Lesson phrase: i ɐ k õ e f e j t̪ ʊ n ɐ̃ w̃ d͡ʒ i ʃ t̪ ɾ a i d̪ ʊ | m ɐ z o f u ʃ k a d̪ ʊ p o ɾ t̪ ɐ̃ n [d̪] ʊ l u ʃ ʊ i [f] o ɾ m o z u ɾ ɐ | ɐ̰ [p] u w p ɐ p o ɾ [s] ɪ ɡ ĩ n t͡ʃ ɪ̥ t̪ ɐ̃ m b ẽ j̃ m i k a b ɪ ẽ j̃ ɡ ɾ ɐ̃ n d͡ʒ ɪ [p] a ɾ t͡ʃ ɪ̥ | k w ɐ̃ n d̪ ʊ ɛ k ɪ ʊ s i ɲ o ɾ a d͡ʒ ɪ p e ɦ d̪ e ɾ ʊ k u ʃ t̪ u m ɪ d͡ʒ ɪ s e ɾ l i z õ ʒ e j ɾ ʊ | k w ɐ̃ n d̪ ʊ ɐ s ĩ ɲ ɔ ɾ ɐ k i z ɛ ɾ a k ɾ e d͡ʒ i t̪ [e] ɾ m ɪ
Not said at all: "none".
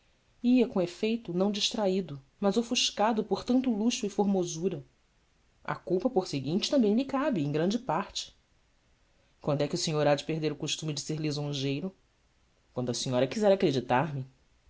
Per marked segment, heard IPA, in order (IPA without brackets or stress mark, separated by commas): t̪, f, k, s, p, a